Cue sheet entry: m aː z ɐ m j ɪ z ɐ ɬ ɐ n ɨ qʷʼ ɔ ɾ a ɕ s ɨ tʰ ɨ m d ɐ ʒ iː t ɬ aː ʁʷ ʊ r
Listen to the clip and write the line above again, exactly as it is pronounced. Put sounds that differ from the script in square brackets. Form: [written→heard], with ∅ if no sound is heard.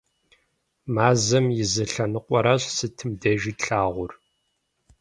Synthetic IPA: m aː z ɐ m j ɪ z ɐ ɬ ɐ n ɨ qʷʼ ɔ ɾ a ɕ s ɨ tʰ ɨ m d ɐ ʒ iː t ɬ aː ʁʷ ʊ r